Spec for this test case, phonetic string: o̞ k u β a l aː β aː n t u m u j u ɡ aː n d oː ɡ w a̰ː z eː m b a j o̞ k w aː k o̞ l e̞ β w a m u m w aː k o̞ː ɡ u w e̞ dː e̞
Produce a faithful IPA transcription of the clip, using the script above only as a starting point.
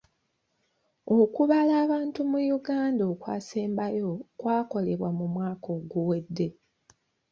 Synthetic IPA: o̞ k u β a l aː β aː n t u m u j u ɡ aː n d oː k w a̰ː s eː m b a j o̞ k w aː k o̞ l e̞ β w a m u m w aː k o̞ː ɡ u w e̞ dː e̞